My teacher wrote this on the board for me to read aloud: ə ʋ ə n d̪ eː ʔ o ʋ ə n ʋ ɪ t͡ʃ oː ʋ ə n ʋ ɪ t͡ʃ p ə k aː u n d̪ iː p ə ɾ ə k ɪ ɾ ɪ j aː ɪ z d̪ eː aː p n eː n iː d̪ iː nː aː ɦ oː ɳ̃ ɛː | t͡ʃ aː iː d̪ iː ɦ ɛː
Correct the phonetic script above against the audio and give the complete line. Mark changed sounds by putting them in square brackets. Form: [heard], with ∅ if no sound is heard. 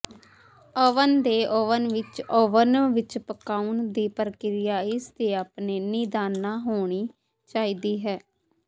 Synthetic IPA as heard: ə ʋ ə n d̪ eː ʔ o ʋ ə n ʋ ɪ t͡ʃ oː ʋ ə n ʋ ɪ t͡ʃ p ə k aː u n d̪ iː p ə ɾ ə k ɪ ɾ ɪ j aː ɪ [s] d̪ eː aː p n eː n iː d̪ [aː] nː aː ɦ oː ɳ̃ [iː] | t͡ʃ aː iː d̪ iː ɦ ɛː